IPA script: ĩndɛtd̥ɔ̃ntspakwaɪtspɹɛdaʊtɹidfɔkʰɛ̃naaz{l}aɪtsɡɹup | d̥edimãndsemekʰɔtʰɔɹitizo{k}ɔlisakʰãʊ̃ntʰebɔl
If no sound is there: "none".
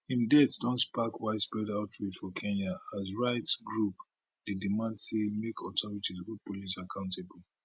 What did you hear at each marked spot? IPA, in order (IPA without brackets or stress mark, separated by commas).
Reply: ɹ, p